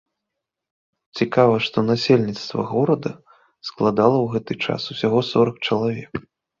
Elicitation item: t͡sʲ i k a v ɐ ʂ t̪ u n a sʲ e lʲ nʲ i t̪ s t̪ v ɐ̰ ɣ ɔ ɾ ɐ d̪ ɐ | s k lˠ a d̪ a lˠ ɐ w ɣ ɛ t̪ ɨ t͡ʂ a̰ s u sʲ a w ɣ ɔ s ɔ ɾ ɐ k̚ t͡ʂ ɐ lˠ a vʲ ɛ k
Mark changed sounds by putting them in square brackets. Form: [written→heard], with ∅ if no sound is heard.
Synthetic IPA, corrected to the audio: t͡sʲ i k a v ɐ ʂ t̪ [u→ɔ] n a sʲ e lʲ nʲ i t̪ s t̪ v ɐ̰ ɣ ɔ ɾ ɐ d̪ ɐ | s k lˠ a d̪ a lˠ ɐ w ɣ ɛ t̪ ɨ t͡ʂ a̰ s u sʲ a [w→∅] ɣ ɔ s ɔ ɾ ɐ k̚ t͡ʂ ɐ lˠ a vʲ ɛ k